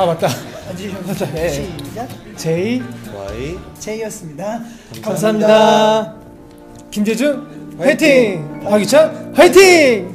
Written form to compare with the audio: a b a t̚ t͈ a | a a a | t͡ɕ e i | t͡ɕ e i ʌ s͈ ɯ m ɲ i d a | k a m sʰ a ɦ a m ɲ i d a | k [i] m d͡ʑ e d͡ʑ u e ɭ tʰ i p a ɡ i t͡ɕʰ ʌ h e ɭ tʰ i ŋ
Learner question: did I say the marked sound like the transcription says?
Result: yes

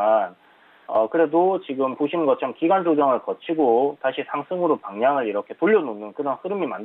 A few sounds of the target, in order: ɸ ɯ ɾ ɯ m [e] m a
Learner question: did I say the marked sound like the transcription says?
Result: no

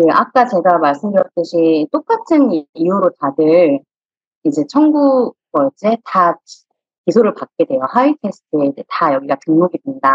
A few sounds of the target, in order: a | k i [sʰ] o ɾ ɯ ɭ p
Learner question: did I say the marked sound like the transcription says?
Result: yes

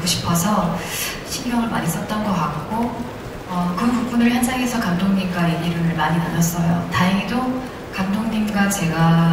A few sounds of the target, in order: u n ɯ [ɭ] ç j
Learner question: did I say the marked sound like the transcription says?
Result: yes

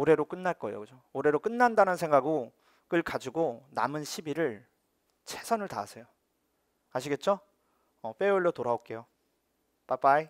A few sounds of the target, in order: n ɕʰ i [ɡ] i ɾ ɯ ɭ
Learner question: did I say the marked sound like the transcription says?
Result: no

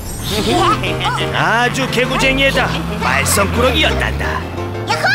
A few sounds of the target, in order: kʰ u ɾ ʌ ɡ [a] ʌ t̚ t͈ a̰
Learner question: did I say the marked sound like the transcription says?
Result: no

